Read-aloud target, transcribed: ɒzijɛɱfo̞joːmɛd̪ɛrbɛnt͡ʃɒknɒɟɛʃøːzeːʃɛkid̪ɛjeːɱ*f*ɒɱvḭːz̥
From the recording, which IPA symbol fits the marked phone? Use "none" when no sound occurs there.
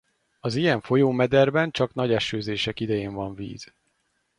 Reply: v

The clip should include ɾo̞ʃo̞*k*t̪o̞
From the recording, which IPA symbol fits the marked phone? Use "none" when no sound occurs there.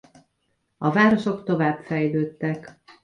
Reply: k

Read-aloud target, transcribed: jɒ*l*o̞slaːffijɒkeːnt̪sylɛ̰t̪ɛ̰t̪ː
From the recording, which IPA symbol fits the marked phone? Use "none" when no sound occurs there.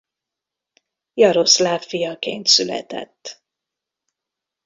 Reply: ɾ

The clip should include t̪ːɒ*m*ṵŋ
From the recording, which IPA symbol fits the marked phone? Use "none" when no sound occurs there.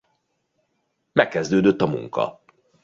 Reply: m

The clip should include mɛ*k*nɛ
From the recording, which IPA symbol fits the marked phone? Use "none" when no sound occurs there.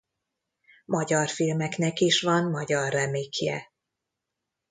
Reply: k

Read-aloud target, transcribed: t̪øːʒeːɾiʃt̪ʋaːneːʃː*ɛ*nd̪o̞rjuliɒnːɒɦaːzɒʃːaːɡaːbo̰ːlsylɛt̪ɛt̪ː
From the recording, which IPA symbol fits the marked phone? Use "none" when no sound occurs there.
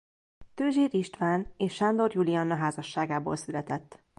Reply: a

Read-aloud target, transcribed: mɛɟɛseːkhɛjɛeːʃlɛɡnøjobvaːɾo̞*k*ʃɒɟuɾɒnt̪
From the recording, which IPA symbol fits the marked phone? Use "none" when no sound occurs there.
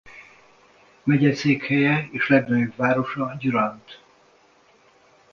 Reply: none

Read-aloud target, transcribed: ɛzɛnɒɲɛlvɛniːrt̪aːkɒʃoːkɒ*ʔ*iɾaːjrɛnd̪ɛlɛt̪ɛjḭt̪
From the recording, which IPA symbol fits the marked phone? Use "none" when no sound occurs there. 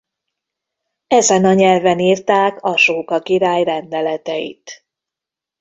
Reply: k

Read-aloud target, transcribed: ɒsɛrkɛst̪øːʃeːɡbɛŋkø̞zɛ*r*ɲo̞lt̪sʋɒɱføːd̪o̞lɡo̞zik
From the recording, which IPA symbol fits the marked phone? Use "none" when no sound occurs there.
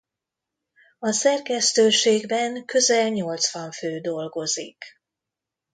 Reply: l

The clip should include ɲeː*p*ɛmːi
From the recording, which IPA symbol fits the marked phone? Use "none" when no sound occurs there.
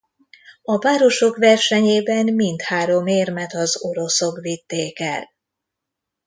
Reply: b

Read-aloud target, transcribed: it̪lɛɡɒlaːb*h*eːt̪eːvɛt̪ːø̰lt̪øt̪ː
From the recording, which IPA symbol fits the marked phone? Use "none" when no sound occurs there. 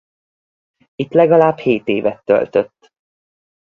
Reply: h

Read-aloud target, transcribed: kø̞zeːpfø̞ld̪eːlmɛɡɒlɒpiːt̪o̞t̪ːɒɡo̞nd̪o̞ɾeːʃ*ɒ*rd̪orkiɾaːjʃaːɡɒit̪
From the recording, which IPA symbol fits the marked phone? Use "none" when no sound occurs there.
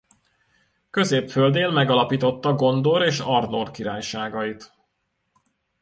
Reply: ɒ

